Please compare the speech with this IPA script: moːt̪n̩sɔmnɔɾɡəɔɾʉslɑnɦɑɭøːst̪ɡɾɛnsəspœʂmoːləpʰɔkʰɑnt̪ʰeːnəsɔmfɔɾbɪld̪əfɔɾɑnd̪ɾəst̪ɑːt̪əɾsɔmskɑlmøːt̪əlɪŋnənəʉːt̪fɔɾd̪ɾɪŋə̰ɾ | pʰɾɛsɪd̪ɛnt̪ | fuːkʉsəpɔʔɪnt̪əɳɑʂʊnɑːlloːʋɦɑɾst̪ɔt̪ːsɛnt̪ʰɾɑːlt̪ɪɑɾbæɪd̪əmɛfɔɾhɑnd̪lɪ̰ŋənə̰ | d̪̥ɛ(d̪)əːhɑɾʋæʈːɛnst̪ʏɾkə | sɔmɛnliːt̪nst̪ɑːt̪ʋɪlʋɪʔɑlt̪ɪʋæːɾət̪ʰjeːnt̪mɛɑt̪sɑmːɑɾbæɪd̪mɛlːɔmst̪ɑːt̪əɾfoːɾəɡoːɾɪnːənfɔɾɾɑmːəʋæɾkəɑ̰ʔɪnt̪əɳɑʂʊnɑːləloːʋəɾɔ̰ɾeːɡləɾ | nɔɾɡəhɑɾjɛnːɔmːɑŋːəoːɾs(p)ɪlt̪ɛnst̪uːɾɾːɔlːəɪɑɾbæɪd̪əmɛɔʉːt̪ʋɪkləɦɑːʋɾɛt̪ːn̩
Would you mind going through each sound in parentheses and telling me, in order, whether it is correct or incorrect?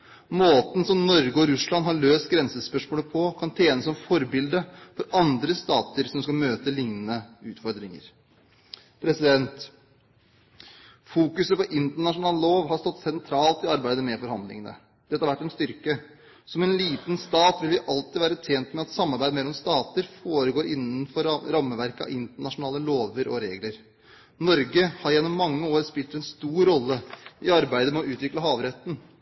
incorrect, correct

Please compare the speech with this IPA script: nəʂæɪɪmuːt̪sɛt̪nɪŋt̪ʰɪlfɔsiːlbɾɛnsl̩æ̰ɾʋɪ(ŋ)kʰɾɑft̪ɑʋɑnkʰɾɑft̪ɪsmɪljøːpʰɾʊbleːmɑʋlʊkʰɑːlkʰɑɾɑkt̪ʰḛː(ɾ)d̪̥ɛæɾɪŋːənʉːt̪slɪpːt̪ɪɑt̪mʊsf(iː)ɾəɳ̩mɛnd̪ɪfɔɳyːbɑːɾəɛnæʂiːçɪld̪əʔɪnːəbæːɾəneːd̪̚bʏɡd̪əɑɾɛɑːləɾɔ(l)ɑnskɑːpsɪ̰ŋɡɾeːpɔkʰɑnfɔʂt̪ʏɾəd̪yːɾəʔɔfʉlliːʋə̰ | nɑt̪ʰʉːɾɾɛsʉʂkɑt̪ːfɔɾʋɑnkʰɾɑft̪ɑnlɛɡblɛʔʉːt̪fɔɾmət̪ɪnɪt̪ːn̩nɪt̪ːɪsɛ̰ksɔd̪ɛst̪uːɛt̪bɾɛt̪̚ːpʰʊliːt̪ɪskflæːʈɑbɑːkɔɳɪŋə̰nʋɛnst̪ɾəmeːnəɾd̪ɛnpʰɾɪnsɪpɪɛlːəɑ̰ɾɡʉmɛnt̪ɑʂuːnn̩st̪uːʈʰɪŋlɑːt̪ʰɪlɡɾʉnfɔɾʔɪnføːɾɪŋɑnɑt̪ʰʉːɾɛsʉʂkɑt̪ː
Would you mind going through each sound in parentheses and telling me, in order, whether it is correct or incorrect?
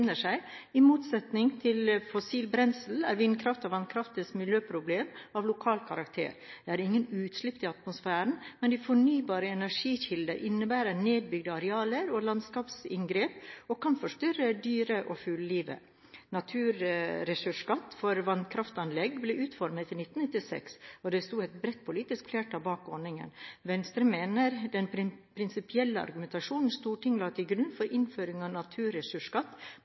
incorrect, correct, incorrect, correct

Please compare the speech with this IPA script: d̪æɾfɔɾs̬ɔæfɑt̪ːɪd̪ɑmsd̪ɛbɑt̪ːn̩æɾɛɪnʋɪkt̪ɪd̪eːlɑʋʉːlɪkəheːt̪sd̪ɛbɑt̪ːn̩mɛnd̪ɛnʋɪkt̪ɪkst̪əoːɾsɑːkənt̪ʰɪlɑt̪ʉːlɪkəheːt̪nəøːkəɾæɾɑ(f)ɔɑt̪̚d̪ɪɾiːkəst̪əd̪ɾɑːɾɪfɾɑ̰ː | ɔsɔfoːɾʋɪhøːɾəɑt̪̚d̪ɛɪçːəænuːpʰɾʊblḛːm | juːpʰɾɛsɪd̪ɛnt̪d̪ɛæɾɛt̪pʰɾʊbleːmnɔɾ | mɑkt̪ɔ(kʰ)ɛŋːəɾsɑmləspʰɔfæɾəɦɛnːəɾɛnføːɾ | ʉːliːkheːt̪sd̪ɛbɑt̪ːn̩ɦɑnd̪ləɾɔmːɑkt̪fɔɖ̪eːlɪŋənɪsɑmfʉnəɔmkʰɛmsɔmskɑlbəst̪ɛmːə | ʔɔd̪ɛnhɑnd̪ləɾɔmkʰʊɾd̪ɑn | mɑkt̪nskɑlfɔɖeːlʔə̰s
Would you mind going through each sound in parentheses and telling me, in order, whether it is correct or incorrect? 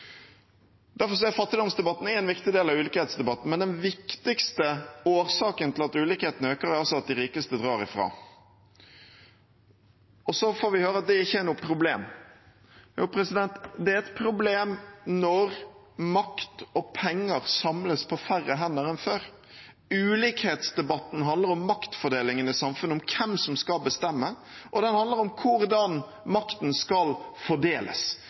incorrect, incorrect

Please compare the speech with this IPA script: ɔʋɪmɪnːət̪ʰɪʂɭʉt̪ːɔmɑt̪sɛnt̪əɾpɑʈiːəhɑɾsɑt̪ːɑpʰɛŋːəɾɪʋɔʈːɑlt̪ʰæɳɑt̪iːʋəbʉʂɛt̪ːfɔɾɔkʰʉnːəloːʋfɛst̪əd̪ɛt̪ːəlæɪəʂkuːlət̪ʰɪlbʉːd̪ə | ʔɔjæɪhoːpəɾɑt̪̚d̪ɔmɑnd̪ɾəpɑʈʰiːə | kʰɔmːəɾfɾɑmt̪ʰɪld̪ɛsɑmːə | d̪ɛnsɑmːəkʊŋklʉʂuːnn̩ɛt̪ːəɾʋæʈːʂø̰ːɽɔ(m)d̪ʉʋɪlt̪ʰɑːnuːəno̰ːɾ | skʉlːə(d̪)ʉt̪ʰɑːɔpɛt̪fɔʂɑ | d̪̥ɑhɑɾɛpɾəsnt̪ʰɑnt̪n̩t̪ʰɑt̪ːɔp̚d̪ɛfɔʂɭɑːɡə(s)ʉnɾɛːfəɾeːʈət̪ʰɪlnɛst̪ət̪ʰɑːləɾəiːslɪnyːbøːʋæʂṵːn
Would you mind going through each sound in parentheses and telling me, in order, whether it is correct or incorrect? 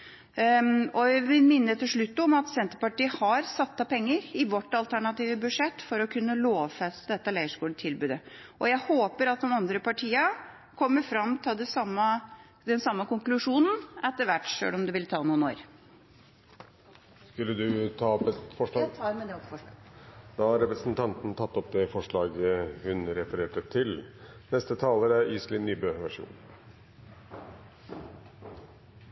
correct, correct, incorrect

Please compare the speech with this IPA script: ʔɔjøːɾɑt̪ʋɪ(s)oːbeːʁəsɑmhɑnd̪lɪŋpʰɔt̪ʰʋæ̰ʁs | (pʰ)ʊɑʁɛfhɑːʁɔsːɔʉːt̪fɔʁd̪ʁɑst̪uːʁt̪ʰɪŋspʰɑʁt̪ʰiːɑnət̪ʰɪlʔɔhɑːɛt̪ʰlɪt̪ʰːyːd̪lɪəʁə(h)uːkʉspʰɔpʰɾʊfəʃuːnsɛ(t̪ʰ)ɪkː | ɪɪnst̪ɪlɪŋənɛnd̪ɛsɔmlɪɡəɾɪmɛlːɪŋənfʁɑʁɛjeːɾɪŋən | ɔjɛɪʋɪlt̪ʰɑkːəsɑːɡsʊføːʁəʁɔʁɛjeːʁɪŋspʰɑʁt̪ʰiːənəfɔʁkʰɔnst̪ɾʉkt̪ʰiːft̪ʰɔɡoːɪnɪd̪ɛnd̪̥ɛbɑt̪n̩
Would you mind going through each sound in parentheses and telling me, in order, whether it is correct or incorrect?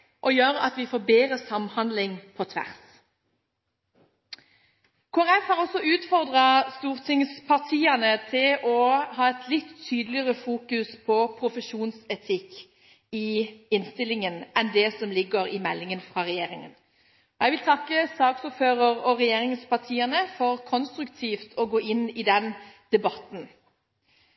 incorrect, incorrect, incorrect, correct

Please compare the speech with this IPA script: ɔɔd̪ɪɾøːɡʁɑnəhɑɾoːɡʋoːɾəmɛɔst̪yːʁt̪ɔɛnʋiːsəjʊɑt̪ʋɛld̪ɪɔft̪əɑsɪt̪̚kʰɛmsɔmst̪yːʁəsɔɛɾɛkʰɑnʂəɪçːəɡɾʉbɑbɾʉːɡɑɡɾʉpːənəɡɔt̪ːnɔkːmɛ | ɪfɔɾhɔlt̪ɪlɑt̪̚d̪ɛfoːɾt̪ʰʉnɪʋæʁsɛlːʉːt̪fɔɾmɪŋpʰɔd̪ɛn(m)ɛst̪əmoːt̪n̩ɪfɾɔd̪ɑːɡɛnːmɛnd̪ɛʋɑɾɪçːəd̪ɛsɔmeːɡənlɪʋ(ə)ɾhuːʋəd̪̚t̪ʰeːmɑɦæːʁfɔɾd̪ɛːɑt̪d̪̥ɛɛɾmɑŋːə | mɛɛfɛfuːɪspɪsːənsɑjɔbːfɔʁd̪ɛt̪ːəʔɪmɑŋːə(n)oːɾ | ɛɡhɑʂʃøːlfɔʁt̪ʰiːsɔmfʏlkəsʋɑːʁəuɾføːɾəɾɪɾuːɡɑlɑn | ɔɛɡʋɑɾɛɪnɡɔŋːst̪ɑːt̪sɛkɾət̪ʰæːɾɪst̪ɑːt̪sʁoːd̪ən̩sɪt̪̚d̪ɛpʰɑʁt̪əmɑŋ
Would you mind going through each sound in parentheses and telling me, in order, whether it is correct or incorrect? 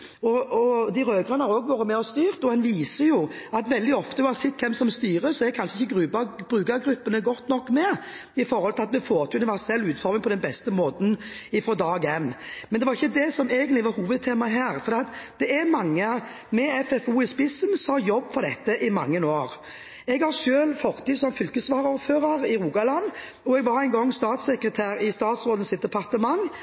incorrect, incorrect, correct

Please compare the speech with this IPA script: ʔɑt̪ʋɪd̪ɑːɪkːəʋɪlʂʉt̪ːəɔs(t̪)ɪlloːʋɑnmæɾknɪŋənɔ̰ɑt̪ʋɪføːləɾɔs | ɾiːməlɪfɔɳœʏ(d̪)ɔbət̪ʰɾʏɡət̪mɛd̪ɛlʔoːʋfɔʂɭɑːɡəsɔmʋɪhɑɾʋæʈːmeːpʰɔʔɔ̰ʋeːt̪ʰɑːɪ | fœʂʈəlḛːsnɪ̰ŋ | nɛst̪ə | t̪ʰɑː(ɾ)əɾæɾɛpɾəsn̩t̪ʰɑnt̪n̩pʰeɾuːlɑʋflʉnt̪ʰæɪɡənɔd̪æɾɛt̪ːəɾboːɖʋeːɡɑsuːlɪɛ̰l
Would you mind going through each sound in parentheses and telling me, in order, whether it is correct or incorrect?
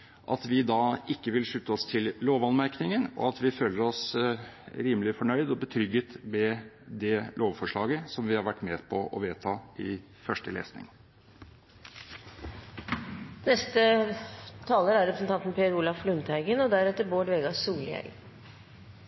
incorrect, correct, incorrect

